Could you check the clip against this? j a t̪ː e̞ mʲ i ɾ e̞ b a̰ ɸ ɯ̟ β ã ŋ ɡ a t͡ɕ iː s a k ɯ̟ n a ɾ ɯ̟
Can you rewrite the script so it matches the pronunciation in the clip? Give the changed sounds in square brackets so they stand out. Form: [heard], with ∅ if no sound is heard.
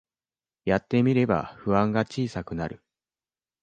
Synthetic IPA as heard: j a t̪ː e̞ mʲ i ɾ e̞ b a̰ ɸ ɯ̟ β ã ŋ ɡ a t͡ɕ iː s a k ɯ̟ n a ɾ ɯ̟